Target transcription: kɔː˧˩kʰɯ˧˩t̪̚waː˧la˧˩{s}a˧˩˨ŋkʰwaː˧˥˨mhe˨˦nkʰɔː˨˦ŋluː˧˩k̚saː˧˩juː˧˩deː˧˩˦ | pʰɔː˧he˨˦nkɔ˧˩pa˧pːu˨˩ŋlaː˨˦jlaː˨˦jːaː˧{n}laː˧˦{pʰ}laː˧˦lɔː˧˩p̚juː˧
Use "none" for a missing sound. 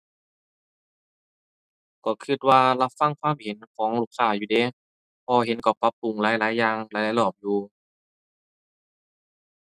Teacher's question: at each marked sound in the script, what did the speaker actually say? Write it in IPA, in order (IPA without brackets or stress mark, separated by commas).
f, ŋ, none